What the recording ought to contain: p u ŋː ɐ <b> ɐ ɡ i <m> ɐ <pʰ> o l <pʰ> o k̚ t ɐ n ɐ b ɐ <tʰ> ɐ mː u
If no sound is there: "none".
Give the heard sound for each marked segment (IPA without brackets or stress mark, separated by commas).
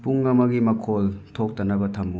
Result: m, m, kʰ, tʰ, tʰ